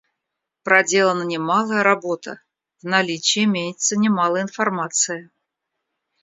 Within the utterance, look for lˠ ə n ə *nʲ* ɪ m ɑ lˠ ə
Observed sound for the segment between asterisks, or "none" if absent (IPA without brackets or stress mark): nʲ